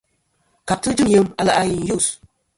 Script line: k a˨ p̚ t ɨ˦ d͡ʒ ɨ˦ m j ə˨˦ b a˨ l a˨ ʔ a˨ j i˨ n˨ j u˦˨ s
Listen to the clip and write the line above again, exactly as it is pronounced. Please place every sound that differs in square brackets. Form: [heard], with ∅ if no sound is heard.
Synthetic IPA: k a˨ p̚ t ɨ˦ d͡ʒ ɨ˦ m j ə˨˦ [m] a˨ l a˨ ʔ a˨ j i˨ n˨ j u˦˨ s